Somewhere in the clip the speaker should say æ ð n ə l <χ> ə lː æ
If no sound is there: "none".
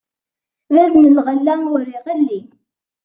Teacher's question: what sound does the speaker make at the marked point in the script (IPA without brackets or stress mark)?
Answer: ʁ